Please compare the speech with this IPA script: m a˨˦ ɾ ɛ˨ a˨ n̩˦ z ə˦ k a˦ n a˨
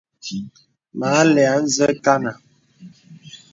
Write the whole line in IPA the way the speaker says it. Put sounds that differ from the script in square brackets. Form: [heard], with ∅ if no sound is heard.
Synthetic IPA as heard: m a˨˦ [l] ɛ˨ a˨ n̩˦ z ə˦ k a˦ n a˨